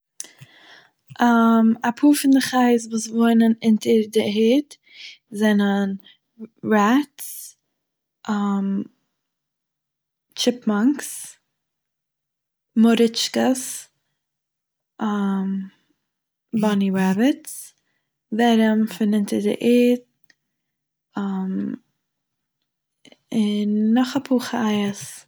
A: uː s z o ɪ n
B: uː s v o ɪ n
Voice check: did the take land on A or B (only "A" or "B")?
B